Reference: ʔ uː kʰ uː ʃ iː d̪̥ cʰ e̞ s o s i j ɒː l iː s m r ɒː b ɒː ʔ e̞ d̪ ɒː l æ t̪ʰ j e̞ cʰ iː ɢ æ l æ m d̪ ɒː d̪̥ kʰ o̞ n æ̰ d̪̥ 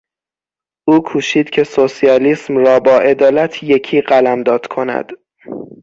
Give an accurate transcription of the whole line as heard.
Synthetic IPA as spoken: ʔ uː kʰ uː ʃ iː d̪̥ cʰ e̞ s o s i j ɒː l iː s m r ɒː b ɒː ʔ e̞ d̪ ɒː l æ t̪ʰ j e̞ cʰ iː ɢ æ l æ m d̪ ɒː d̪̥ kʰ o̞ n æ̰ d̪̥